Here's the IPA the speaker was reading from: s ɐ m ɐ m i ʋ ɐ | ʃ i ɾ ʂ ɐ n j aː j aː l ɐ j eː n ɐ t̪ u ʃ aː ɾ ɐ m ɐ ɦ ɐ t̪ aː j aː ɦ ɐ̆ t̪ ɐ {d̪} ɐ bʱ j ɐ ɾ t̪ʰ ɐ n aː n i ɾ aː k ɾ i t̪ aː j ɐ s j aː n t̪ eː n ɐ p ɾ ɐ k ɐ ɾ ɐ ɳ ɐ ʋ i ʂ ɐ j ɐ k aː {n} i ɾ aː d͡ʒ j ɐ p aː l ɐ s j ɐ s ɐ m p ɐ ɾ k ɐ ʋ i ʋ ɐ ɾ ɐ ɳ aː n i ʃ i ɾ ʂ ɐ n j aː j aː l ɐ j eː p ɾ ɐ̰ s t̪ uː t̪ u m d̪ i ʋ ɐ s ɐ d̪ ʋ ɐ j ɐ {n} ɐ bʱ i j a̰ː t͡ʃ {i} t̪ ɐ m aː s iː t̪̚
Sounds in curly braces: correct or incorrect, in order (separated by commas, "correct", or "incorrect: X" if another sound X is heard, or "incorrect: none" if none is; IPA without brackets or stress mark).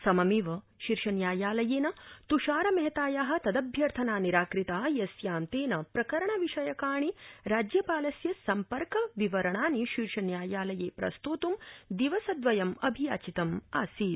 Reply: correct, incorrect: ɳ, incorrect: m, correct